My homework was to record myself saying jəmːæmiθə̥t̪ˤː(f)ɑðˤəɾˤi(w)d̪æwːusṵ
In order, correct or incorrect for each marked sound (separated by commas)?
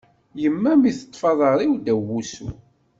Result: correct, correct